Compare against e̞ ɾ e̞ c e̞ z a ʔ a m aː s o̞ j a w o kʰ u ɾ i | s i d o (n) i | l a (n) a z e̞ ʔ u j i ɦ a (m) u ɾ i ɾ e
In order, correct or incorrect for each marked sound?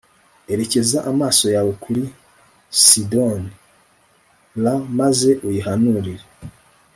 correct, incorrect: m, incorrect: n

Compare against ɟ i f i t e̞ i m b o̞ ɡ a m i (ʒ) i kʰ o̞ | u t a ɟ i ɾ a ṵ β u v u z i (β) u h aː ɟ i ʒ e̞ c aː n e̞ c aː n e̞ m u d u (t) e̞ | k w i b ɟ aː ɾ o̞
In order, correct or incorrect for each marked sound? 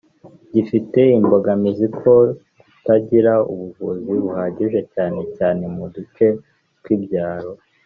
incorrect: z, correct, incorrect: t͡ʃ

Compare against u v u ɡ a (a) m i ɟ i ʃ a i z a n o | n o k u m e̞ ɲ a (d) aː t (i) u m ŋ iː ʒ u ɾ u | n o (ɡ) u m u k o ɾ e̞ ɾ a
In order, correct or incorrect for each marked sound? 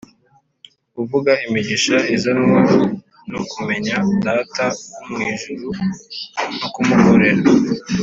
incorrect: i, correct, incorrect: a, incorrect: k

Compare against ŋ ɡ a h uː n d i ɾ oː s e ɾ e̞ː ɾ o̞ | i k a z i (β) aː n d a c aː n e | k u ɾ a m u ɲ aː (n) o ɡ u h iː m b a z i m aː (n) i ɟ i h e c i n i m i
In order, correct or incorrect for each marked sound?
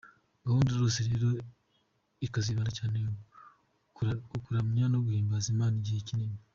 correct, correct, correct

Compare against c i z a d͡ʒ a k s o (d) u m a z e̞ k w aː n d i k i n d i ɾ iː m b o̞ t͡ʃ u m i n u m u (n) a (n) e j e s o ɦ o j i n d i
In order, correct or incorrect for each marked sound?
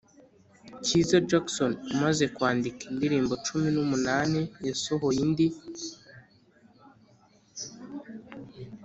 incorrect: n, correct, correct

